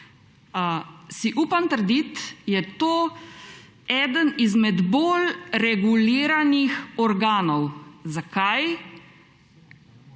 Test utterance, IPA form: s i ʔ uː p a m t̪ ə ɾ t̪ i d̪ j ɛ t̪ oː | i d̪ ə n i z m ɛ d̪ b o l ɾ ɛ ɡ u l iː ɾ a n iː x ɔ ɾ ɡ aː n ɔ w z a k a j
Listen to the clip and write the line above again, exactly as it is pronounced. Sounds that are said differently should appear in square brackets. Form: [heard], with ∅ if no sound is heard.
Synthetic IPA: s i ʔ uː p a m t̪ ə ɾ [d̪] i [t̪] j ɛ t̪ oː | [ɛ] d̪ ə n i z m ɛ d̪ b o l ɾ ɛ ɡ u l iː ɾ a n [i] x ɔ ɾ ɡ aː n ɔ w z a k a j